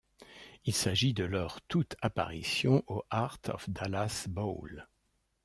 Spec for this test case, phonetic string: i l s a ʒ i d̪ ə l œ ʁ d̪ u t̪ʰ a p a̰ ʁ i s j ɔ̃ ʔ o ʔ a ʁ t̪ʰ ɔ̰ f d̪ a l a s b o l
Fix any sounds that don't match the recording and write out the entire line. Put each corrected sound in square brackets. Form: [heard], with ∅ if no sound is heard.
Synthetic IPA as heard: i l s a ʒ i d̪ ə l œ ʁ [t̪] u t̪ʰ a p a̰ ʁ i s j ɔ̃ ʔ o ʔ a ʁ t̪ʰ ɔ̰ f d̪ a l a s b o l